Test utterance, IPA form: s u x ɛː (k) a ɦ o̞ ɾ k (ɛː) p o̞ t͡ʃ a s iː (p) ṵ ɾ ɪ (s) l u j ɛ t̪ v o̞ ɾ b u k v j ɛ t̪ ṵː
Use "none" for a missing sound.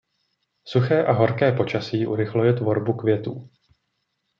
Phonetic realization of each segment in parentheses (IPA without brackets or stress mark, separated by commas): ʔ, ɛː, ʔ, x